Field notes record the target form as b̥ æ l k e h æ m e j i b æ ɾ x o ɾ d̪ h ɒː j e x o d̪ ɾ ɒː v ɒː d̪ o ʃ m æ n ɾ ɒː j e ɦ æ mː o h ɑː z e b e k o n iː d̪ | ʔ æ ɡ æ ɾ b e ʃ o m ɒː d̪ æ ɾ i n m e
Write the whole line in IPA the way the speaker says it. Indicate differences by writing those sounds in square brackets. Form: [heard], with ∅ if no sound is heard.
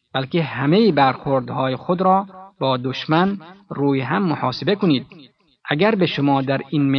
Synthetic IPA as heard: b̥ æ l k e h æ m e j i b æ ɾ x o ɾ d̪ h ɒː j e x o d̪ ɾ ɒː [b] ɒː d̪ o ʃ m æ n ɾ [uː] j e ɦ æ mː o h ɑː [s] e b e k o n iː d̪ | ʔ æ ɡ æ ɾ b e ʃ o m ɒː d̪ æ ɾ i n m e